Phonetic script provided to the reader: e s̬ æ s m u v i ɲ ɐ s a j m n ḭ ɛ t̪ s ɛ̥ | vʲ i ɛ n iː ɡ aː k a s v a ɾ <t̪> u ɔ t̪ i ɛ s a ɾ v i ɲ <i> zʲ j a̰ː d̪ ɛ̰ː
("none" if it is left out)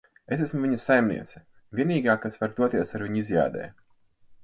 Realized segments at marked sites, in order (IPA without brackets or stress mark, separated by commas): d̪, i